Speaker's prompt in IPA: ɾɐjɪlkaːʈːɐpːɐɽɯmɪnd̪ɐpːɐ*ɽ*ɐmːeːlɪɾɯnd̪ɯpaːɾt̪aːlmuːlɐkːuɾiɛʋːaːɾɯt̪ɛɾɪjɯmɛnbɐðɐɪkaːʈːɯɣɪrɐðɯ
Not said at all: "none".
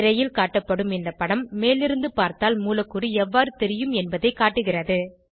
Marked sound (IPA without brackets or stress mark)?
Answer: ɽ